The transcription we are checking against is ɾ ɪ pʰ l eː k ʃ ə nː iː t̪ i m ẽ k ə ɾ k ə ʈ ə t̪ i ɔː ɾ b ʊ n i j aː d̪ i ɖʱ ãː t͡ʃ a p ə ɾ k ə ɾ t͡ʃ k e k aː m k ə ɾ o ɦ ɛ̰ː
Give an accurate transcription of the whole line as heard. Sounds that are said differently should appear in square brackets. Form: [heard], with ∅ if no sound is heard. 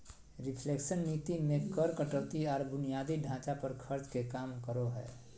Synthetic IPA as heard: ɾ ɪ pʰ l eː k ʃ ə nː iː t̪ i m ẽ k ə ɾ k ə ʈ ə t̪ i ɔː ɾ b ʊ n i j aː d̪ i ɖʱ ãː t͡ʃ a p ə ɾ [kʰ] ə ɾ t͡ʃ k e k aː m k ə ɾ o ɦ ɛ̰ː